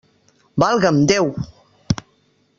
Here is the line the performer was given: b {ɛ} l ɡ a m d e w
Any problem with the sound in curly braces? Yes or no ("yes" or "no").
yes